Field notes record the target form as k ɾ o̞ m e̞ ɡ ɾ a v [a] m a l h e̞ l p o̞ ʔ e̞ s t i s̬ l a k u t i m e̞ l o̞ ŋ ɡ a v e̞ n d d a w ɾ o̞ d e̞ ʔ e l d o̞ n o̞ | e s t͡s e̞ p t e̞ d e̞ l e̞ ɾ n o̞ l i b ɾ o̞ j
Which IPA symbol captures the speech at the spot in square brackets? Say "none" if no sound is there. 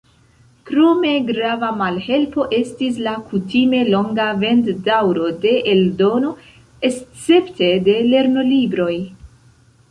a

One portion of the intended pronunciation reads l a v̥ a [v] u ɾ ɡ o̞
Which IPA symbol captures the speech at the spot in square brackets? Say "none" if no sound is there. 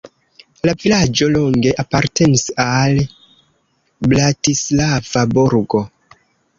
b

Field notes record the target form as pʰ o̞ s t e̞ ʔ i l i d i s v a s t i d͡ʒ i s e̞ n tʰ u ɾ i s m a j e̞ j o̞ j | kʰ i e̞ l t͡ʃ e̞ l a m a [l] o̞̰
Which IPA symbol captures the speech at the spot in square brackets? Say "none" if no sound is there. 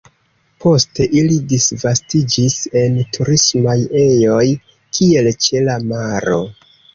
ɾ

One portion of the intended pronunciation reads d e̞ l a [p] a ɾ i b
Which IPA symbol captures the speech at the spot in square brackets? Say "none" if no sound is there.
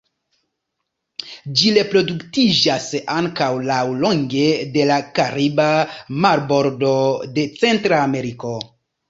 k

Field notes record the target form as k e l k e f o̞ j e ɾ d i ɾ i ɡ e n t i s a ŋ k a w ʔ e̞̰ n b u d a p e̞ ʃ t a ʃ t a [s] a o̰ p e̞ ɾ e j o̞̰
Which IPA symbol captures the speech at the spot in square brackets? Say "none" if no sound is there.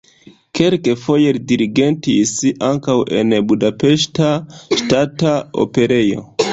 t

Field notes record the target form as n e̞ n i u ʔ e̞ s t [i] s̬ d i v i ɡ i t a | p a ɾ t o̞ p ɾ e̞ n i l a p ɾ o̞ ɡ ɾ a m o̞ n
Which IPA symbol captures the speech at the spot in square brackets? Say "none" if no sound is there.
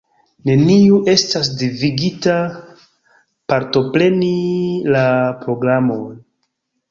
a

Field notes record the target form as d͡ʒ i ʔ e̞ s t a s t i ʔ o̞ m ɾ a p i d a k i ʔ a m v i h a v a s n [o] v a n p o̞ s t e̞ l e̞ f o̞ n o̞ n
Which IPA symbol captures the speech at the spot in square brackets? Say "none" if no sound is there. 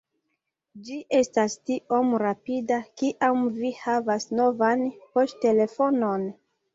o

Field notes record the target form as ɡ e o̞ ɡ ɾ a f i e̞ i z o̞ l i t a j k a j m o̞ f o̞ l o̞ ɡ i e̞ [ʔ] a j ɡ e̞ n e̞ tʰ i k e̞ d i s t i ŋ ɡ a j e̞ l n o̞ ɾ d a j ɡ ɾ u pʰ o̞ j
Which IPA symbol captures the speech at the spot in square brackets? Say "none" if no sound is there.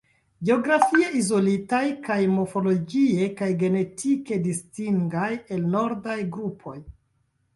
k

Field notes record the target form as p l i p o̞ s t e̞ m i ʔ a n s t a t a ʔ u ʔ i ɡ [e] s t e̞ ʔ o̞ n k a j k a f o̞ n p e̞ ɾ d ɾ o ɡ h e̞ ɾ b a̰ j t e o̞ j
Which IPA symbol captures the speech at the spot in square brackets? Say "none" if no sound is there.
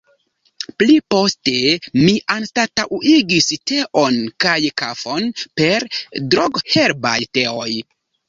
i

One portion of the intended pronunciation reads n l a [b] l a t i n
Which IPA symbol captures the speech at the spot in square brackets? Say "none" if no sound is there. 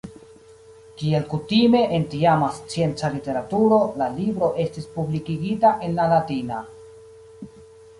none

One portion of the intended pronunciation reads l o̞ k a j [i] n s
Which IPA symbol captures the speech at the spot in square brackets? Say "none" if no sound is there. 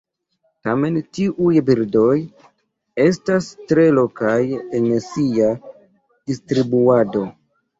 e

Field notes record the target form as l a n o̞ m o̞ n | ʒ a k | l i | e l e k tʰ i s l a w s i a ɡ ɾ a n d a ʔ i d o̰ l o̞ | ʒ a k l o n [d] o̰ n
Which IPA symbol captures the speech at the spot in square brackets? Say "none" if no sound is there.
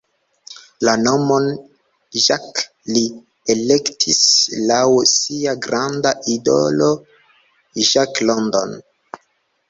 d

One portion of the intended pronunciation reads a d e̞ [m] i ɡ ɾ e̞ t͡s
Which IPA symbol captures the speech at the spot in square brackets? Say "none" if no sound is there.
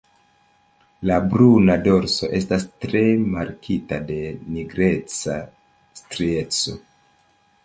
n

